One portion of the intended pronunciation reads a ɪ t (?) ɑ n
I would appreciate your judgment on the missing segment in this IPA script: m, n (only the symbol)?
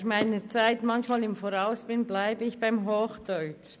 m